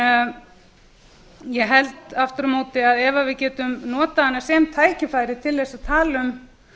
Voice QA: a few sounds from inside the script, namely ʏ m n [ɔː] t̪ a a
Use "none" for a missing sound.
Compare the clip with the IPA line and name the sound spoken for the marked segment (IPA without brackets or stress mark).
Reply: ɔː